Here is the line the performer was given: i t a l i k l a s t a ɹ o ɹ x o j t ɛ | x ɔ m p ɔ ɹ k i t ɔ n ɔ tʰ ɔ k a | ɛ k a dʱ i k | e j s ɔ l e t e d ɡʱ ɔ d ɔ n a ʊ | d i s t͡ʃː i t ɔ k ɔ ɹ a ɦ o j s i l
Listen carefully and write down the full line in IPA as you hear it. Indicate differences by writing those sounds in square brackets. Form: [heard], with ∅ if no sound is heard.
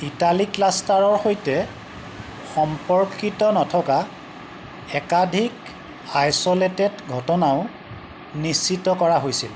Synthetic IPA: i t a l i k l a s t a ɹ [ɔ] ɹ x o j t ɛ | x ɔ m p ɔ ɹ k i t ɔ n ɔ tʰ ɔ k a | ɛ k a dʱ i k | [a] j s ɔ l e t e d ɡʱ ɔ [t] ɔ n a ʊ | [n] i s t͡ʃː i t ɔ k ɔ ɹ a ɦ o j s i l